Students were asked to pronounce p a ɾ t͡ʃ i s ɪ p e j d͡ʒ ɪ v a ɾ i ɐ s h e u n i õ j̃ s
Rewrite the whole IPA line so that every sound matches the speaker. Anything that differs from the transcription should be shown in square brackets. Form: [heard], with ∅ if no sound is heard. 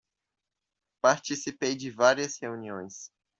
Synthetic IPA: p a ɾ t͡ʃ i s [i] p e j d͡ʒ ɪ v a ɾ i ɐ s h e u n i õ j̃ s

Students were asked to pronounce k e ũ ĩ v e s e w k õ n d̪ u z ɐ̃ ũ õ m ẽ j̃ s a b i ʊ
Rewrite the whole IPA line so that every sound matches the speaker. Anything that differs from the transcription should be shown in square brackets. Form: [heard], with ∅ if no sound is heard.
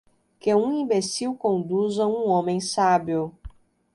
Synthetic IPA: k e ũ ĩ [b] e s [i] w k õ n d̪ u z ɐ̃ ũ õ m ẽ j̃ s a b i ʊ

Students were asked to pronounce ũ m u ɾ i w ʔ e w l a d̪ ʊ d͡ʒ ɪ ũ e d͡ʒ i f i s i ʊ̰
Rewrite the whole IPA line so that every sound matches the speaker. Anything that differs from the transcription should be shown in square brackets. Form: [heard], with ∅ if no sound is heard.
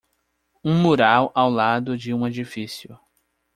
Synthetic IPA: ũ m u ɾ [a] w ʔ [a] w l a d̪ ʊ d͡ʒ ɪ ũ e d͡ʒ i f i s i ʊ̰

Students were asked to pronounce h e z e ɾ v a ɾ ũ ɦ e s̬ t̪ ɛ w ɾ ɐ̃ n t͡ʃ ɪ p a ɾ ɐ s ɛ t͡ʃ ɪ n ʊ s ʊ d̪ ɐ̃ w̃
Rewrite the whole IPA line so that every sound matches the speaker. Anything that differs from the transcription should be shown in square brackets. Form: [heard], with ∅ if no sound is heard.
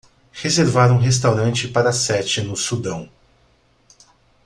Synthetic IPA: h e z e ɾ v a ɾ ũ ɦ e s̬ t̪ [a] w ɾ ɐ̃ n t͡ʃ ɪ p a ɾ ɐ s ɛ t͡ʃ ɪ n ʊ s [u] d̪ ɐ̃ w̃

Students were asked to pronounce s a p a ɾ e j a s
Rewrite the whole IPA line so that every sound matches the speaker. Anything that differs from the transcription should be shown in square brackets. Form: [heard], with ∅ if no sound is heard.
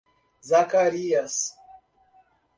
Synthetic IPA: [z] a [k] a ɾ [i] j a s

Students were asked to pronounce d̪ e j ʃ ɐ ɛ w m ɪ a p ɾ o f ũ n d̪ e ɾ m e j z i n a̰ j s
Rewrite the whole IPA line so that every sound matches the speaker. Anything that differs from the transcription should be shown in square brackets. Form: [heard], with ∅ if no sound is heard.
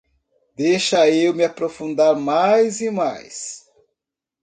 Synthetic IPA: d̪ e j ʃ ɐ [e] w m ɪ a p ɾ o f ũ n d̪ [a] ɾ m [a] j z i [m] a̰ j s

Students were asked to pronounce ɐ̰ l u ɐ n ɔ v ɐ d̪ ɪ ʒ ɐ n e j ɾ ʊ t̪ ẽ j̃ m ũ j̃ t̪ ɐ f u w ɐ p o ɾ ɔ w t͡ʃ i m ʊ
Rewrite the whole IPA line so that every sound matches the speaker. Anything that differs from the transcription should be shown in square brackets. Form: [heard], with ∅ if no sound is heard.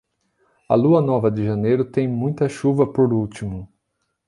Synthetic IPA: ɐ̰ l u ɐ n ɔ v ɐ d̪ ɪ ʒ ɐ n e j ɾ ʊ t̪ ẽ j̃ m ũ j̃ t̪ ɐ [ʃ] u [v] ɐ p o ɾ [u] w t͡ʃ i m ʊ

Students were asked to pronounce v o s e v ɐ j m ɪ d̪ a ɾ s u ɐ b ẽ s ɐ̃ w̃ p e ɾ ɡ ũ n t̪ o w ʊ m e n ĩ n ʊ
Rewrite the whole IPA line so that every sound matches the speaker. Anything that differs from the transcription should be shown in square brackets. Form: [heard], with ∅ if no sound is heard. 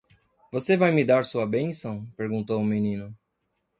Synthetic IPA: v o s e v [a] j m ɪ d̪ a ɾ s u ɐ b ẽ s ɐ̃ w̃ p e ɾ ɡ ũ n t̪ o w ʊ m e n ĩ n ʊ

